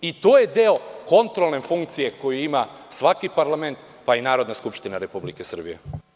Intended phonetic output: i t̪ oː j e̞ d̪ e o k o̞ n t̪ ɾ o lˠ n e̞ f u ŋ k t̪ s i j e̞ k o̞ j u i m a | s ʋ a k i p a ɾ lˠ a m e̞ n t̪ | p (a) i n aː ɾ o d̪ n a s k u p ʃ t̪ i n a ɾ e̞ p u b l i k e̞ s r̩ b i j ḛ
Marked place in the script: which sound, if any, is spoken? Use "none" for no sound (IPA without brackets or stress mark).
a